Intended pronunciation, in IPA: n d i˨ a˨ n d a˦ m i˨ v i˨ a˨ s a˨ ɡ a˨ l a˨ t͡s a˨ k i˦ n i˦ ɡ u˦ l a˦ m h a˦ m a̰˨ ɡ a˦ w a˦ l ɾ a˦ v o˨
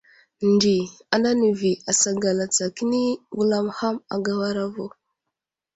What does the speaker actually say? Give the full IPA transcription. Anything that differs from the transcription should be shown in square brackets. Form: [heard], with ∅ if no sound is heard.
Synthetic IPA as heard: n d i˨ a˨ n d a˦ [n] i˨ v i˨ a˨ s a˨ ɡ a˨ l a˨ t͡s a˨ k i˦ n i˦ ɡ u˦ l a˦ m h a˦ m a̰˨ ɡ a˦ w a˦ [∅] ɾ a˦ v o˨